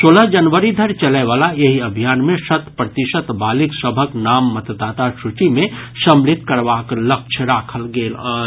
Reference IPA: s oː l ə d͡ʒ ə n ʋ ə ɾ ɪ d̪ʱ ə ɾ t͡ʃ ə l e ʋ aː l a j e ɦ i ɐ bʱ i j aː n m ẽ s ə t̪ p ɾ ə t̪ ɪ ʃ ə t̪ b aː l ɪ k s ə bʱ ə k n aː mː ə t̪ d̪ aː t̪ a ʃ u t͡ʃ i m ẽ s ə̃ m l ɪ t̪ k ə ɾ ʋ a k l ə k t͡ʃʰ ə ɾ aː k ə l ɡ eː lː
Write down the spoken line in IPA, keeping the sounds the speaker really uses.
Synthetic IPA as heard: s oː l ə d͡ʒ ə n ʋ ə ɾ i d̪ʱ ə ɾ t͡ʃ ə l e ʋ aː l a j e ɦ i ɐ bʱ i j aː n m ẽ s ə t̪ p ɾ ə t̪ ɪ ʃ ə t̪ b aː l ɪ k s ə bʱ ə k n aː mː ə t̪ d̪ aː t̪ a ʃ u t͡ʃ i m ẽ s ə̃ m l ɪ t̪ k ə ɾ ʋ a k l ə k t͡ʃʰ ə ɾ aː kʰ ə l ɡ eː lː